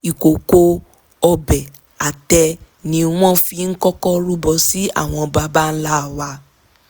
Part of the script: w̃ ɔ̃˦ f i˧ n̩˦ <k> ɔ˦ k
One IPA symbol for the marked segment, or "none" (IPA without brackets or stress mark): k